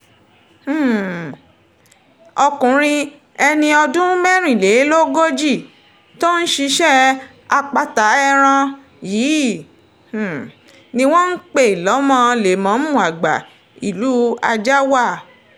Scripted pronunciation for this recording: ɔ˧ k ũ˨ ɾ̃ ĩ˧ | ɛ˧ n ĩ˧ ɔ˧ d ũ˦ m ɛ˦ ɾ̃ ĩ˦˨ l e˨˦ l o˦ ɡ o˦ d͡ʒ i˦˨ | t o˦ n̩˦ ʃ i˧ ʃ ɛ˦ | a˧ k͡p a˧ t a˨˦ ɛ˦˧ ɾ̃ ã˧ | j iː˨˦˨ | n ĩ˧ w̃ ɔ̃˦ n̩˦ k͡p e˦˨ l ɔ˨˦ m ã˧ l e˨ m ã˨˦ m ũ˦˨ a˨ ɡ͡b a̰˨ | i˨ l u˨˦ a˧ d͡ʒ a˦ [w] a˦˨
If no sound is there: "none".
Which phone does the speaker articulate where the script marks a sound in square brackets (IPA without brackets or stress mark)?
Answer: w